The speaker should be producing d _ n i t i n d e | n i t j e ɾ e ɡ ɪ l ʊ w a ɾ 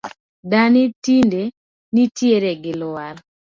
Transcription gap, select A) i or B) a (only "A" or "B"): B